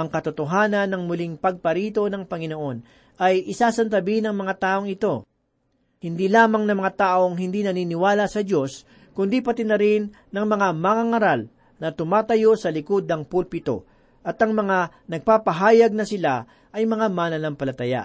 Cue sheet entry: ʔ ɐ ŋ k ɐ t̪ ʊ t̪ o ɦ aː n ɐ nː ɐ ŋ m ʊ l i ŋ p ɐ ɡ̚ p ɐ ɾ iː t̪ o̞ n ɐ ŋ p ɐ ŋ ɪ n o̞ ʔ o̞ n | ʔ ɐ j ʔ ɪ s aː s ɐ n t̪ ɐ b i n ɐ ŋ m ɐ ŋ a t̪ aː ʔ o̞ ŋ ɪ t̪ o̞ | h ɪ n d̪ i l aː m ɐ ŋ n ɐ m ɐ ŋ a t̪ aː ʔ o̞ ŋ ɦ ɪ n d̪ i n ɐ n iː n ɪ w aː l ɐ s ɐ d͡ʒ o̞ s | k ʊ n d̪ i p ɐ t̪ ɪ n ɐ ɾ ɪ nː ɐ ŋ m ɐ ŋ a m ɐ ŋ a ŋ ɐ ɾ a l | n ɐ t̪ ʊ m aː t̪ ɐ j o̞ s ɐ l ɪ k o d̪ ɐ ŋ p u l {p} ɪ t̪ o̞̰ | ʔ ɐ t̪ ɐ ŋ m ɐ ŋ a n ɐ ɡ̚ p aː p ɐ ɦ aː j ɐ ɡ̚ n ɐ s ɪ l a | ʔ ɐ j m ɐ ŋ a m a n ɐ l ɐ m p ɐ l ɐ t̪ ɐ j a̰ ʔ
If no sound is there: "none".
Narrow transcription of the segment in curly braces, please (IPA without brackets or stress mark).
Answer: p